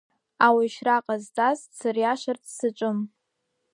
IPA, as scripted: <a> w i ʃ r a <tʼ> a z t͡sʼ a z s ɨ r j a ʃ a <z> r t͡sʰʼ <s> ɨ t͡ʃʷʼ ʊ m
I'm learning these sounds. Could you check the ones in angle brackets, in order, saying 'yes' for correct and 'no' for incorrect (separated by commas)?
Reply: yes, no, no, yes